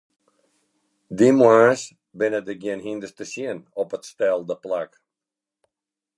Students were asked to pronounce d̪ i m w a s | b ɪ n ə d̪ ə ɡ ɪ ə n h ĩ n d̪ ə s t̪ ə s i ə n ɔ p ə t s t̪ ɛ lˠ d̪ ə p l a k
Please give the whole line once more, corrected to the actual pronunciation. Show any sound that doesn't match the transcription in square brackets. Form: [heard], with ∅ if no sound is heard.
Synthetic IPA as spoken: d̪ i m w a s | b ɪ n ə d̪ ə ɡ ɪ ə n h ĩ n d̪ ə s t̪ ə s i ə n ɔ p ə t s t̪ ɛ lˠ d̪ ə p l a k